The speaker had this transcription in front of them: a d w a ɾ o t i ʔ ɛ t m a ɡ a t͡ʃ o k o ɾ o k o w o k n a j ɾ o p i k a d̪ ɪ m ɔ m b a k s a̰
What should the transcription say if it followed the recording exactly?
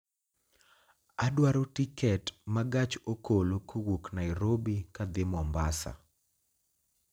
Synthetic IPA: a d w a ɾ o t i k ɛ t m a ɡ a t͡ʃ o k o l o k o w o k n a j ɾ o b i k a d̪ ɪ m ɔ m b a s a̰